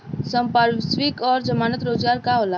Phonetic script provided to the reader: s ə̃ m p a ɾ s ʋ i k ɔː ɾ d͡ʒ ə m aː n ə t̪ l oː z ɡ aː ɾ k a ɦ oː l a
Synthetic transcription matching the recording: s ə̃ m p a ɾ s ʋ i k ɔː ɾ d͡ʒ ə m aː n ə t̪ ɾ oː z ɡ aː ɾ k a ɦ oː l a